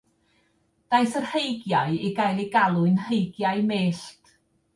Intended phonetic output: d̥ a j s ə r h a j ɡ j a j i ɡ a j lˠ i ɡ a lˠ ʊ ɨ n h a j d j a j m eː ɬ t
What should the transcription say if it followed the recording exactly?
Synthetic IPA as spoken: d̥ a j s ə r h e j ɡ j a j i ɡ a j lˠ i ɡ a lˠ ʊ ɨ n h e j ɡ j a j m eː ɬ t